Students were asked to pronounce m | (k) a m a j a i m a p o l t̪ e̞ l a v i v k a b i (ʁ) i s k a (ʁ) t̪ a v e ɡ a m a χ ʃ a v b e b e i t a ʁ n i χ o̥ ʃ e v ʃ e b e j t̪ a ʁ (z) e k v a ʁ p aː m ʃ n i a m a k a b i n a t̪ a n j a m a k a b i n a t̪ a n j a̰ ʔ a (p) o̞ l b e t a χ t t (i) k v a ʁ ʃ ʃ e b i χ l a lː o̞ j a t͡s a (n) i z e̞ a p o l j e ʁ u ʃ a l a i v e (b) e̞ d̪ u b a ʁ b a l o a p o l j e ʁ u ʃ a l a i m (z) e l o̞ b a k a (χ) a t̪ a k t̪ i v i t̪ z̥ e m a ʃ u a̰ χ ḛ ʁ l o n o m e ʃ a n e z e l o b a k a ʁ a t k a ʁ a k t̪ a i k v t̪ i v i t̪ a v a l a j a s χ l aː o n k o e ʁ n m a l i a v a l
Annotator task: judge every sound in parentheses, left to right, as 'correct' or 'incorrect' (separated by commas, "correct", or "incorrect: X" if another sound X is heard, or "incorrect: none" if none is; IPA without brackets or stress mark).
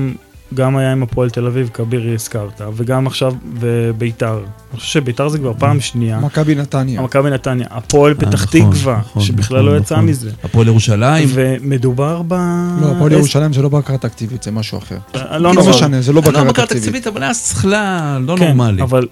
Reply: incorrect: ɡ, correct, correct, correct, correct, correct, incorrect: m, incorrect: m, correct, incorrect: ʁ